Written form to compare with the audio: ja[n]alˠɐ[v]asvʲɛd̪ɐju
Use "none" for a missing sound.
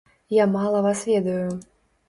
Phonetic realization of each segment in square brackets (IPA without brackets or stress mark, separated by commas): m, v